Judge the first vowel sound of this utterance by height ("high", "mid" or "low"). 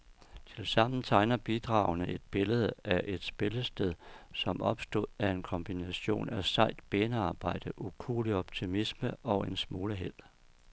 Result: mid